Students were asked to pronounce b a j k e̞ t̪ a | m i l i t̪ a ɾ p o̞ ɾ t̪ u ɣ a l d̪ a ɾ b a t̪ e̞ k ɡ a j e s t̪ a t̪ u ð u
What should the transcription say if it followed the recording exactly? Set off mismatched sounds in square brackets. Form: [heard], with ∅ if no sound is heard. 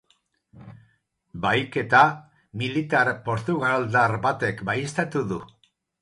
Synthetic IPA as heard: b a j k e̞ t̪ a | m i l i t̪ a ɾ p o̞ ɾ t̪ u ɣ a l d̪ a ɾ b a t̪ e̞ k [b] a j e s t̪ a t̪ u ð u

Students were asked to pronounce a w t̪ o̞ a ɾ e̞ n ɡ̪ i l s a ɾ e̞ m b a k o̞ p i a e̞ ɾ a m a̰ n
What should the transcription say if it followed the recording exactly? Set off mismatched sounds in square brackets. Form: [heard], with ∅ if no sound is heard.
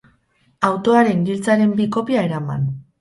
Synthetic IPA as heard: a w t̪ o̞ a ɾ e̞ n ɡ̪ i l [t͡s] a ɾ e̞ m b [i] k o̞ p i a e̞ ɾ a m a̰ n

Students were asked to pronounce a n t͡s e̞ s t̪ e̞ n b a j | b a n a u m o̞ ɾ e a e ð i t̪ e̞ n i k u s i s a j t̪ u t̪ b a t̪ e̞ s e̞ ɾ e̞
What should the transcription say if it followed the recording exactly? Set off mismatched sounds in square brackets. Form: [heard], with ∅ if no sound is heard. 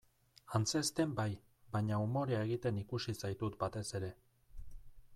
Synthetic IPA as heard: a n t͡s e̞ s t̪ e̞ [m] b a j | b a [ɲ] a u m o̞ ɾ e a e [ɣ] i t̪ e̞ n i k u s i s a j t̪ u t̪ b a t̪ e̞ s e̞ ɾ e̞

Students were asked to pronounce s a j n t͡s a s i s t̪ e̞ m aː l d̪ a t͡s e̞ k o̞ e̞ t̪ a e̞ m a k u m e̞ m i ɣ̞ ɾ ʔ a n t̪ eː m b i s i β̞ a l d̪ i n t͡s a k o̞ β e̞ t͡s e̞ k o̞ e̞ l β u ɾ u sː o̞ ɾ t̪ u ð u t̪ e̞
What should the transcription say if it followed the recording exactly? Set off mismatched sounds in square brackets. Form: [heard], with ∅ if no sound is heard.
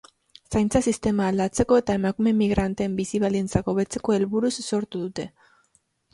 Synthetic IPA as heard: s a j n t͡s a s i s t̪ e̞ m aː l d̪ a t͡s e̞ k o̞ e̞ t̪ a e̞ m a k u m e̞ m i ɣ̞ ɾ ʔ a n t̪ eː m b i s i β̞ a l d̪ i n t͡s a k o̞ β e̞ t͡s e̞ k o̞ e̞ l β u ɾ u sː o̞ ɾ t̪ u ð u t̪ e̞

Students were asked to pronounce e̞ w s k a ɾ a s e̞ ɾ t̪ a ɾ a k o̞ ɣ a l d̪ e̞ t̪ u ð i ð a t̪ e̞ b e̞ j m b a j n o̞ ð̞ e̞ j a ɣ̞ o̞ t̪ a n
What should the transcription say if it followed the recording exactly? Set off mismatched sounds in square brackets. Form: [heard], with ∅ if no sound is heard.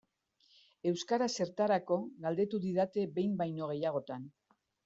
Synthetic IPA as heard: e̞ w s k a ɾ a s e̞ ɾ t̪ a ɾ a k o̞ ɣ a l d̪ e̞ t̪ u ð i ð a t̪ e̞ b e̞ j m b a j n o̞ [ɣ̞] e̞ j a ɣ̞ o̞ t̪ a n

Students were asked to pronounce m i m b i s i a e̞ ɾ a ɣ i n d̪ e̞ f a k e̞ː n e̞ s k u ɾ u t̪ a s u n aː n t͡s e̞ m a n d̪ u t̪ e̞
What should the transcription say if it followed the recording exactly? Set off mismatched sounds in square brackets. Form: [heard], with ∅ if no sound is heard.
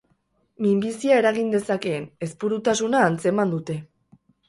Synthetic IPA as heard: m i m b i s i a e̞ ɾ a ɣ i n d̪ e̞ [s] a k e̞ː n e̞ s [p] u ɾ u t̪ a s u n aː n t͡s e̞ m a n d̪ u t̪ e̞

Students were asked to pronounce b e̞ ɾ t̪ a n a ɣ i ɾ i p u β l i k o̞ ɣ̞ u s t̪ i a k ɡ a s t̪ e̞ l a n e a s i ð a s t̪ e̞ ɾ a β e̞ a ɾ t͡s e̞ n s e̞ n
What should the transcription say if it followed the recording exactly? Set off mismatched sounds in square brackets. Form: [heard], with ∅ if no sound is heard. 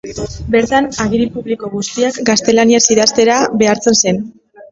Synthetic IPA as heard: b e̞ ɾ t̪ a n a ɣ i ɾ i p u β l i k o̞ ɣ̞ u s t̪ i a k ɡ a s t̪ e̞ l a n [i] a s i ð a s t̪ e̞ ɾ a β e̞ a ɾ t͡s e̞ n s e̞ n

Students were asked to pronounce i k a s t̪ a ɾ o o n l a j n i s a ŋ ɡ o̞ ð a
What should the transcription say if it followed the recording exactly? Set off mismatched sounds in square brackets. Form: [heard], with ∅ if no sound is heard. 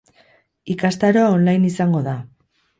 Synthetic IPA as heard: i k a s t̪ a ɾ o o n l a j n i s a ŋ ɡ o̞ ð a

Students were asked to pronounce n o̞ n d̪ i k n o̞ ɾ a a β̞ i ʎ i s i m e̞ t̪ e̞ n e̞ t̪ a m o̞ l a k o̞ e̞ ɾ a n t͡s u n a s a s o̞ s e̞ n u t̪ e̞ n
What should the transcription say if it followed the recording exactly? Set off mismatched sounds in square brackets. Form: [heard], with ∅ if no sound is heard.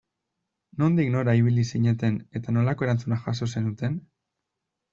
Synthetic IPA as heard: n o̞ n d̪ i k n o̞ ɾ a [i] β̞ i [l] i s i [ɲ] e̞ t̪ e̞ n e̞ t̪ a [n] o̞ l a k o̞ e̞ ɾ a n t͡s u n a [x] a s o̞ s e̞ n u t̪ e̞ n

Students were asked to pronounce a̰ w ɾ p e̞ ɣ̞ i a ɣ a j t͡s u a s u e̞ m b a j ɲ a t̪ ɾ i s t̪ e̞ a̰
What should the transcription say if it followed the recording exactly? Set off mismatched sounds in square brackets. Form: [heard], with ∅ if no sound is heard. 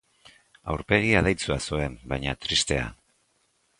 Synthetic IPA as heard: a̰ w ɾ p e̞ ɣ̞ i a [ð] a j t͡s u a s u e̞ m b a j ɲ a t̪ ɾ i s t̪ e̞ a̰

